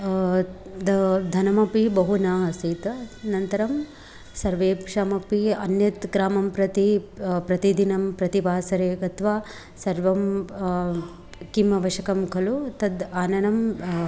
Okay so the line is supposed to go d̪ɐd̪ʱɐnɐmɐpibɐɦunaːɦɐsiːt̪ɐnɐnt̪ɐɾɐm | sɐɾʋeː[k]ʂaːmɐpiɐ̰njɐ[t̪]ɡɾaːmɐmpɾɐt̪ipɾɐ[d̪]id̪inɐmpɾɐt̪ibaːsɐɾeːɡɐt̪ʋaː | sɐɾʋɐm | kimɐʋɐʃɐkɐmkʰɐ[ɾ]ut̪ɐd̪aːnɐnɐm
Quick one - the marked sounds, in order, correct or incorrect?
incorrect: p, correct, incorrect: t̪, incorrect: l

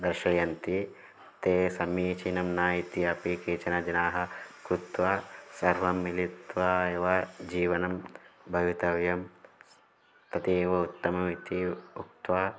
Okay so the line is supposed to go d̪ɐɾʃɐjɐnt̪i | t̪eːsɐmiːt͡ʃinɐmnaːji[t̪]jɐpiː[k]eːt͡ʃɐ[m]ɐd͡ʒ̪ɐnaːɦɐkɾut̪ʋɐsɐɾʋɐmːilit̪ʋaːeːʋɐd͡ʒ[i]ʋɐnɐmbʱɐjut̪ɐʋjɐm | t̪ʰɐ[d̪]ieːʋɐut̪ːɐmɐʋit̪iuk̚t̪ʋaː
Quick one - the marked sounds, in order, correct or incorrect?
correct, correct, incorrect: n, incorrect: iː, incorrect: t̪

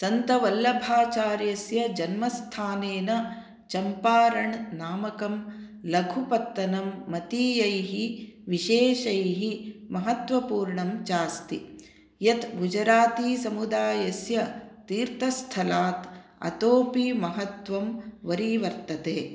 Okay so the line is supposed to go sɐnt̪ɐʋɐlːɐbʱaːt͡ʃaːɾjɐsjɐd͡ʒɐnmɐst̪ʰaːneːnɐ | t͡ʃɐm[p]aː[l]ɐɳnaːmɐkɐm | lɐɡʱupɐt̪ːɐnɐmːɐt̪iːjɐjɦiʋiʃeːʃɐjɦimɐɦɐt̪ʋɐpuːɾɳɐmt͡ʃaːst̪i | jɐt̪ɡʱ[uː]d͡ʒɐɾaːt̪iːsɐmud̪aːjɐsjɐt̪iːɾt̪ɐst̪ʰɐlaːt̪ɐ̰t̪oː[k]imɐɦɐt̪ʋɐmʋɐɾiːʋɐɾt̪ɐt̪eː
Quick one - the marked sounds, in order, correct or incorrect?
correct, incorrect: ɾ, incorrect: u, incorrect: p

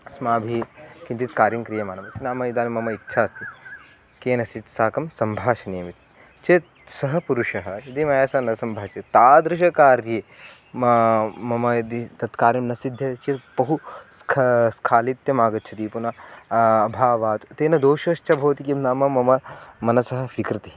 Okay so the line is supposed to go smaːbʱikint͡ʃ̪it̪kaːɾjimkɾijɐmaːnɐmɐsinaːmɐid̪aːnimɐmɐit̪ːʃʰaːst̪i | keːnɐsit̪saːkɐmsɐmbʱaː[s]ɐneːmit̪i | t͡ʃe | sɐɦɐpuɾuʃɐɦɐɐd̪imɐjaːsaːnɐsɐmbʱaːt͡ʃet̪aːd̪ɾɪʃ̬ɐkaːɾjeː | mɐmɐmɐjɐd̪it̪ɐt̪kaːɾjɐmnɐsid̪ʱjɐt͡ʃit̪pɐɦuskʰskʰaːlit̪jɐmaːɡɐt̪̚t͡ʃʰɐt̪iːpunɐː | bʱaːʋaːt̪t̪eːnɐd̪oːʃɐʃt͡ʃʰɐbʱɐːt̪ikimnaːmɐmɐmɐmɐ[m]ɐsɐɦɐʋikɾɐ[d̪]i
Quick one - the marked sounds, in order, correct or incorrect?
incorrect: ʃ, incorrect: n, incorrect: t̪

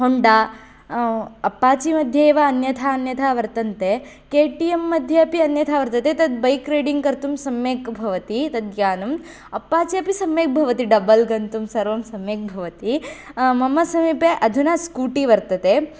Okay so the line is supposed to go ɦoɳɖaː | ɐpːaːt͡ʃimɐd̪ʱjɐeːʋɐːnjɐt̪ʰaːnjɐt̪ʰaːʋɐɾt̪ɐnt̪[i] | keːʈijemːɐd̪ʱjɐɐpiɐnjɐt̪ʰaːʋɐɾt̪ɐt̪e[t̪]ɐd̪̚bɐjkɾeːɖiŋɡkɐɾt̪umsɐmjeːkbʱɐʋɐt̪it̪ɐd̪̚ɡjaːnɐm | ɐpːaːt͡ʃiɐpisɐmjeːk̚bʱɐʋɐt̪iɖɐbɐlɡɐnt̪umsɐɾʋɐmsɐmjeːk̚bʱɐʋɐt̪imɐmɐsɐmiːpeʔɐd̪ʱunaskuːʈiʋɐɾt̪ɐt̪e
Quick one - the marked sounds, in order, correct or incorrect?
incorrect: e, correct

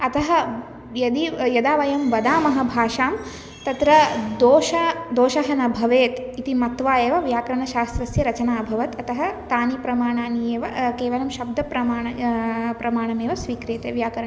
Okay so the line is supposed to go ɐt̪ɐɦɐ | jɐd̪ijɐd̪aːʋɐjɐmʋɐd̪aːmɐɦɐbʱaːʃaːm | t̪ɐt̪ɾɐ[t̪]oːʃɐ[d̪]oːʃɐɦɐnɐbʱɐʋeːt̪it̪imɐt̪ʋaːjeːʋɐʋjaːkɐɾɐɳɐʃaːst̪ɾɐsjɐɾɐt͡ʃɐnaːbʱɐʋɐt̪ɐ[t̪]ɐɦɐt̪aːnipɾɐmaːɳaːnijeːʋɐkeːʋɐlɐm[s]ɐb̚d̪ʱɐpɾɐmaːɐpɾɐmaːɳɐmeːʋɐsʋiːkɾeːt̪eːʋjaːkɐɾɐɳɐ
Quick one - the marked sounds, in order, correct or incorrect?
incorrect: d̪, correct, correct, incorrect: ʃ

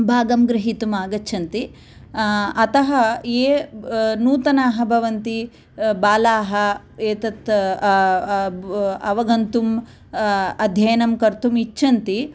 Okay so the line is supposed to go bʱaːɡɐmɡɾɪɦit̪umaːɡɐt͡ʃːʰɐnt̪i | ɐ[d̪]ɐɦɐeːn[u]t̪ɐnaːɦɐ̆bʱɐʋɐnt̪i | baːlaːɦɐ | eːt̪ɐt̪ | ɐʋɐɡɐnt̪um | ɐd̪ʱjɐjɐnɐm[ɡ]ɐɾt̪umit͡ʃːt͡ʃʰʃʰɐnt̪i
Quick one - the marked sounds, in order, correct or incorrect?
incorrect: t̪, incorrect: uː, incorrect: k

